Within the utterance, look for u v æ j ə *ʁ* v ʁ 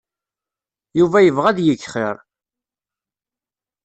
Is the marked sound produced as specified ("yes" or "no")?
no